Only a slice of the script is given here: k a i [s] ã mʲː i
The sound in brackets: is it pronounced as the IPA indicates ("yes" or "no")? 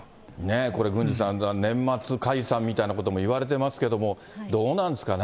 yes